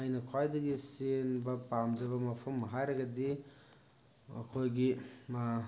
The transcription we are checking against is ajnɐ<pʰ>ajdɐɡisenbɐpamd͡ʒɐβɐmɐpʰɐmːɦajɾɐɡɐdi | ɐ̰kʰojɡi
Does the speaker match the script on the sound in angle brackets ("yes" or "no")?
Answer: no